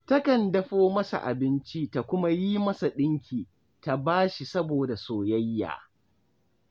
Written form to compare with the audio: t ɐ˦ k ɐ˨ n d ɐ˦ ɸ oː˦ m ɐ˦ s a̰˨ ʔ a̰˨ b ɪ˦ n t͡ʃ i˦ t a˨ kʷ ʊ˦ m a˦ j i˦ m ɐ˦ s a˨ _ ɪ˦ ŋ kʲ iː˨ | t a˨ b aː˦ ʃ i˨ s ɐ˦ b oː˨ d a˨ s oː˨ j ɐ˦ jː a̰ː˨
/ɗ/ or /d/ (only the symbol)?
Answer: ɗ